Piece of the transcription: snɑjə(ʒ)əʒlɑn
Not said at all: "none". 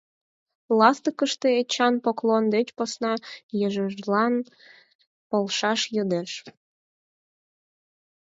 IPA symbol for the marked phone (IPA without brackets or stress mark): ʒ